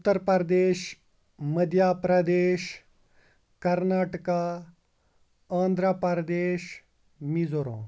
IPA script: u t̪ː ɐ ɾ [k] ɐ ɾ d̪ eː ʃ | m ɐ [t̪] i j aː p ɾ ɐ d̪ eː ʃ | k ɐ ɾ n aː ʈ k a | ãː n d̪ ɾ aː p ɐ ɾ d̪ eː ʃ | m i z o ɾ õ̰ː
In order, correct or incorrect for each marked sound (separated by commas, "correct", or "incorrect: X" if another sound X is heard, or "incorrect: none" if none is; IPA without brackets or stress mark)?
incorrect: p, incorrect: d̪